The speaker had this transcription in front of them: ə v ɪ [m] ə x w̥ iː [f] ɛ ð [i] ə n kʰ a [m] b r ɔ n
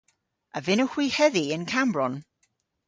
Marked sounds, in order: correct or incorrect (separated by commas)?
incorrect, incorrect, correct, correct